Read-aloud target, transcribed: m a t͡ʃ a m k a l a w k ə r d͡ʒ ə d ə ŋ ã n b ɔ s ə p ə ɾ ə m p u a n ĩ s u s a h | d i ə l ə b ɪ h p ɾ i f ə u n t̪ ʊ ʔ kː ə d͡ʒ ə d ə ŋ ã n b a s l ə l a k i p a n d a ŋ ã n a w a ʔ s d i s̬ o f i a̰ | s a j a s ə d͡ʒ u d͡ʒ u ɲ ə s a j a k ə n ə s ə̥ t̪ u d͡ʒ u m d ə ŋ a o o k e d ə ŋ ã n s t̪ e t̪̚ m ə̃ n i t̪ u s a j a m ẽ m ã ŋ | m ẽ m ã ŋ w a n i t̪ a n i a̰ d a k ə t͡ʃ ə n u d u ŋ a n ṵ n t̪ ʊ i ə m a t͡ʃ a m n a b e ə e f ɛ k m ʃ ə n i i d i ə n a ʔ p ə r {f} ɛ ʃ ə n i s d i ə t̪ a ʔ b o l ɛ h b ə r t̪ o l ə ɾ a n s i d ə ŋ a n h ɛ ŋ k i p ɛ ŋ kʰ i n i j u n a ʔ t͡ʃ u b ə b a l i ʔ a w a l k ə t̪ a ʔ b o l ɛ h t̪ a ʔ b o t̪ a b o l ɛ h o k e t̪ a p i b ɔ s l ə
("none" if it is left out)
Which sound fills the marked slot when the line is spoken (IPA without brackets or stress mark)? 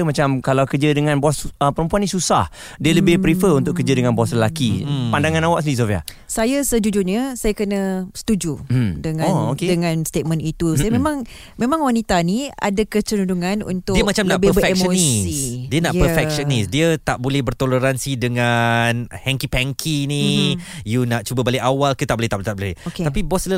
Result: f